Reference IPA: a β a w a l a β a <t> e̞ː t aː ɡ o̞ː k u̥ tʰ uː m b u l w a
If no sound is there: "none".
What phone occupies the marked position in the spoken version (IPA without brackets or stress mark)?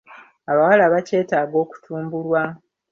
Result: c